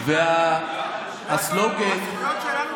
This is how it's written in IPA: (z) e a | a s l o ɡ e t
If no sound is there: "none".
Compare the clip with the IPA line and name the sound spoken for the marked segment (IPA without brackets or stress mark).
v